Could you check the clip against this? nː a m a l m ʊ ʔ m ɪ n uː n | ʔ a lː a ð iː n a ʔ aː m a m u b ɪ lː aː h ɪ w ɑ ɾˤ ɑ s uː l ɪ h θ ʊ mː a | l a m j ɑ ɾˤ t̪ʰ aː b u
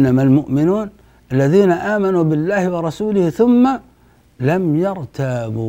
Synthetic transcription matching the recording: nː a m a l m ʊ ʔ m ɪ n uː n | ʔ a lː a ð iː n a ʔ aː m a n u b ɪ lː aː h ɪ w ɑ ɾˤ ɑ s uː l ɪ h θ ʊ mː a | l a m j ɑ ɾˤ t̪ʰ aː b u